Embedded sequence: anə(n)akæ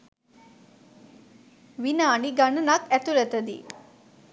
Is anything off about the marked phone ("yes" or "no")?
no